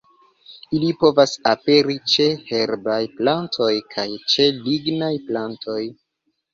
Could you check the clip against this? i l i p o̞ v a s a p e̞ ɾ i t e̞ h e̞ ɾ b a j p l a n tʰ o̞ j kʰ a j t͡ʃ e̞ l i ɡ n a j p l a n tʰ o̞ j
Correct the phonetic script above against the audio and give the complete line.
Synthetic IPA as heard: i l i p o̞ v a s a p e̞ ɾ i t͡ʃ e̞ h e̞ ɾ b a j p l a n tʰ o̞ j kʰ a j t͡ʃ e̞ l i ɡ n a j p l a n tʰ o̞ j